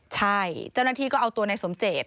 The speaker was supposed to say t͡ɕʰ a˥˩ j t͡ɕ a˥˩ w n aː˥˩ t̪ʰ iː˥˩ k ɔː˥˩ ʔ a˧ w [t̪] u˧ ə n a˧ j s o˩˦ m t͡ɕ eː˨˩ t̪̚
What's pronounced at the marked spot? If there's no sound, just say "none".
t̪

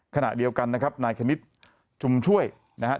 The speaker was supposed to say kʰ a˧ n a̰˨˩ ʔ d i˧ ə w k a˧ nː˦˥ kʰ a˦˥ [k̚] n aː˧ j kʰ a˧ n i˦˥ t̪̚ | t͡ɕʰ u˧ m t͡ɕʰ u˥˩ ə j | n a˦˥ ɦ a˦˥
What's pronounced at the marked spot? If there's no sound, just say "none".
p̚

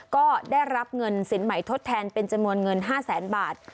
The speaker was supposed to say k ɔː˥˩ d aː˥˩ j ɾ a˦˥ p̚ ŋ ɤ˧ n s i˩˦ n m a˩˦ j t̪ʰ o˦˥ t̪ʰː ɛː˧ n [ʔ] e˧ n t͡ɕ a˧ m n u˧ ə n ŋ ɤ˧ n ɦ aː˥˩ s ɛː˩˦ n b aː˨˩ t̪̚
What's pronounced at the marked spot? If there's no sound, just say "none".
p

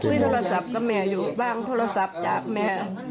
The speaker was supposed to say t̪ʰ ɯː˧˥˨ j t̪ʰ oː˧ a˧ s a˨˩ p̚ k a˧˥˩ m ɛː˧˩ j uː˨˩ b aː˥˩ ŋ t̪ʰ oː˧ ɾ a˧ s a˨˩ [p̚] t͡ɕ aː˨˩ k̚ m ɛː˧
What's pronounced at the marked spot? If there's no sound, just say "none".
p̚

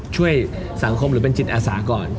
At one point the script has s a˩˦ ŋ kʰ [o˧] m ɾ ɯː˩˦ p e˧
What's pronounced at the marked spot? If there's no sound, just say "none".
o˧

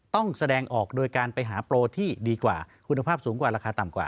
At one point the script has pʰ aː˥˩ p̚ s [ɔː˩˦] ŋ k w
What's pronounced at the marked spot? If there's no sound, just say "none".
uː˩˦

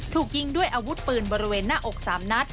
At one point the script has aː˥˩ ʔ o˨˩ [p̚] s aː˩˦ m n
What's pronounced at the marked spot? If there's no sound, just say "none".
k̚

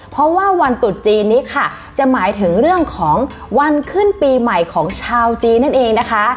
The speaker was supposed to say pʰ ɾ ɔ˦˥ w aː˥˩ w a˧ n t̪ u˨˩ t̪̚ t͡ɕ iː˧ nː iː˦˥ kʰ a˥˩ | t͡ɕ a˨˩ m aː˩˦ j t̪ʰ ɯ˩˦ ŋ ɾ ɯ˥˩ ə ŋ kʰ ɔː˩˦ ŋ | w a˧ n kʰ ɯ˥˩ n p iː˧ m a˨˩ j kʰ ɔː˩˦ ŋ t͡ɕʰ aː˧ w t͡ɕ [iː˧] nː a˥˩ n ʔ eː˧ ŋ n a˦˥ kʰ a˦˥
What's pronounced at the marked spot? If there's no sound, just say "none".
iː˧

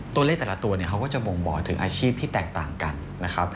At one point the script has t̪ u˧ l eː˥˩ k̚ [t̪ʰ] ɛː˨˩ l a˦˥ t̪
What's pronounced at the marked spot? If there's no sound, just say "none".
t̪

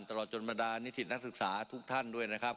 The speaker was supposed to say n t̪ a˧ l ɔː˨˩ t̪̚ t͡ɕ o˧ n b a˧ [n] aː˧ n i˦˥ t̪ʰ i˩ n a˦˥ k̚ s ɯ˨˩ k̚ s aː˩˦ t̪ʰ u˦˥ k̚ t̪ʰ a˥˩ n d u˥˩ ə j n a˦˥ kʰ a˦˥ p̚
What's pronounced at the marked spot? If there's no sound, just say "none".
d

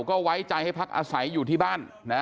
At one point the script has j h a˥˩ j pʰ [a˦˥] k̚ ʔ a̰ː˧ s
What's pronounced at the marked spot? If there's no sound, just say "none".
a˦˥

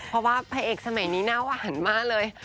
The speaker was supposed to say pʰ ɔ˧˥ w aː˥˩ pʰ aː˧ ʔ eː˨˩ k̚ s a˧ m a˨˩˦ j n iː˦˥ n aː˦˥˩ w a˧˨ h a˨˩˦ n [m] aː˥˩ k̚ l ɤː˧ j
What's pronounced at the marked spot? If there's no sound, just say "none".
m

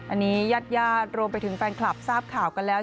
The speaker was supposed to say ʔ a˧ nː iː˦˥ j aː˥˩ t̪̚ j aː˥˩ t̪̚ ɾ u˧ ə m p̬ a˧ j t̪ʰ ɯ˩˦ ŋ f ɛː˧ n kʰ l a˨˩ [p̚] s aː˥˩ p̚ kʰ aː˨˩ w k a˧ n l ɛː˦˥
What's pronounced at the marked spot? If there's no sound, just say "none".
p̚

